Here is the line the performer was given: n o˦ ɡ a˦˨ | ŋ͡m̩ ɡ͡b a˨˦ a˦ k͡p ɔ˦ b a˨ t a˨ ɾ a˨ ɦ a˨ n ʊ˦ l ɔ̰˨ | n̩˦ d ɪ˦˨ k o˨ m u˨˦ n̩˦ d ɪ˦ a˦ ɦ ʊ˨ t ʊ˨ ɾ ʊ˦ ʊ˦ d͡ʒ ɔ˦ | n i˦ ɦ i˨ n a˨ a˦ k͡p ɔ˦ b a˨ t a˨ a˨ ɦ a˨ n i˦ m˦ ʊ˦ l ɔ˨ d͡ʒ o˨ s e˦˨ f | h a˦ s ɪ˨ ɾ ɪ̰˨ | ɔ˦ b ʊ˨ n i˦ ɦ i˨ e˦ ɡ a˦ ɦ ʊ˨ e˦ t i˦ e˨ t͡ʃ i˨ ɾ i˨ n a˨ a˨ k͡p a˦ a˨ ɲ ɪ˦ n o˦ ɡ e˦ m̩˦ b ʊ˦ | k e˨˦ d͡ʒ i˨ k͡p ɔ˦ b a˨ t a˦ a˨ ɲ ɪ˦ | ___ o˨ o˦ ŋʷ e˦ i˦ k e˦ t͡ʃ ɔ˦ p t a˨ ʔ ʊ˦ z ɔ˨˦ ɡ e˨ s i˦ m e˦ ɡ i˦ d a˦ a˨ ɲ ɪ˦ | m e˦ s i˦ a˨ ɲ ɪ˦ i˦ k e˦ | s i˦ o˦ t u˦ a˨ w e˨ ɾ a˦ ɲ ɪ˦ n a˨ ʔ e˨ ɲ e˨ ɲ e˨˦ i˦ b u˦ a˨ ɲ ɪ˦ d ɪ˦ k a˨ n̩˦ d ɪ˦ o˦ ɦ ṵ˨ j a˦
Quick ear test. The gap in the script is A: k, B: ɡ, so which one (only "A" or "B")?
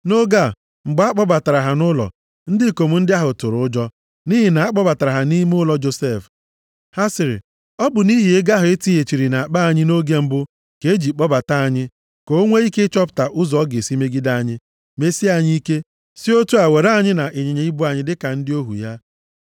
A